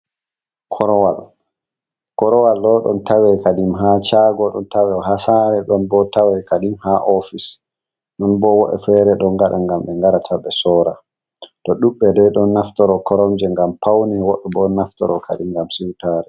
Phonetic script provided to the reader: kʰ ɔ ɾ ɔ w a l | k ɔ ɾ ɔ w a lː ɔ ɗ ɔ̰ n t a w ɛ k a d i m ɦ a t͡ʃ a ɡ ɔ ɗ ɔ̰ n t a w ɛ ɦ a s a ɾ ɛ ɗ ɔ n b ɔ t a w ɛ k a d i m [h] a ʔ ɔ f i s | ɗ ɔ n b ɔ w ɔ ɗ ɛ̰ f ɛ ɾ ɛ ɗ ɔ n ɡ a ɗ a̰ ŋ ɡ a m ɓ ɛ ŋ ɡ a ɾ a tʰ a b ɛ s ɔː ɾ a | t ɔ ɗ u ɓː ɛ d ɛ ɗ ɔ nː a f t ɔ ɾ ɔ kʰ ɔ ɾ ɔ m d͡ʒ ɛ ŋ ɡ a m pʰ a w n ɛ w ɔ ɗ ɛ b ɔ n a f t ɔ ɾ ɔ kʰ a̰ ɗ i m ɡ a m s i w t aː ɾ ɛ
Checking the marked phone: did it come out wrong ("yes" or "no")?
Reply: no